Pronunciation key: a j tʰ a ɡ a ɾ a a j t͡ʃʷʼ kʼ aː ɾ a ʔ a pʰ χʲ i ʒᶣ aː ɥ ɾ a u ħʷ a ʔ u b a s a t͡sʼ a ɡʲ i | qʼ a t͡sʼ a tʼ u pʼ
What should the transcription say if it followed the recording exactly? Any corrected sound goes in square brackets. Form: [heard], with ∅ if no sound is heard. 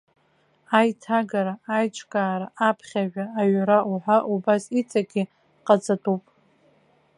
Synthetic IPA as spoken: a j tʰ a ɡ a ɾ a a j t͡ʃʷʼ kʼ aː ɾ a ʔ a pʰ χʲ [a] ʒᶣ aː ɥ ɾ a u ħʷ a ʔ u b a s [i] t͡sʼ a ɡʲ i | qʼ a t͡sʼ a tʼ u pʼ